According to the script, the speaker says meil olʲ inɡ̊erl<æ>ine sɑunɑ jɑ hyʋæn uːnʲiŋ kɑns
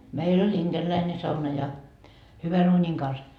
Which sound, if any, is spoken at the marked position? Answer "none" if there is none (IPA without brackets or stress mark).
æ